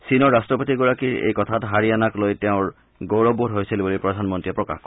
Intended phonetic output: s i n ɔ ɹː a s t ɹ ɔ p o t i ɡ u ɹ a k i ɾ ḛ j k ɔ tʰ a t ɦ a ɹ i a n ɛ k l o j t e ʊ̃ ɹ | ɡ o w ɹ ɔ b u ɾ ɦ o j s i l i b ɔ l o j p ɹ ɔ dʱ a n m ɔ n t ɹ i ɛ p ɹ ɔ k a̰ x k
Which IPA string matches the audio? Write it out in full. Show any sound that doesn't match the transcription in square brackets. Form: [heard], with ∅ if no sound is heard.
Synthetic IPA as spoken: s i n ɔ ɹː a s t ɹ ɔ p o t i ɡ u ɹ a k i [ɹ] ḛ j k ɔ tʰ a t ɦ a ɹ i a n [a] k l o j t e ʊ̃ ɹ | ɡ o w ɹ ɔ b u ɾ ɦ o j s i l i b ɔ l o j p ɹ ɔ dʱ a n m ɔ n t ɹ i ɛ p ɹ ɔ k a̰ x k